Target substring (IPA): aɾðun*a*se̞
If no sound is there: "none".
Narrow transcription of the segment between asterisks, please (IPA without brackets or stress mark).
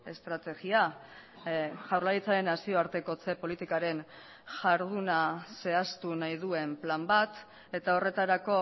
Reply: a